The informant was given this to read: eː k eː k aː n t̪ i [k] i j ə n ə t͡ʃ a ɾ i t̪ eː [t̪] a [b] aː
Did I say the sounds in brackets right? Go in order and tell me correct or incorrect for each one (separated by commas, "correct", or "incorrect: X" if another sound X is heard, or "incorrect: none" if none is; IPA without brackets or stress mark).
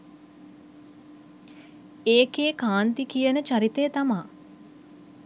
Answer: correct, correct, incorrect: m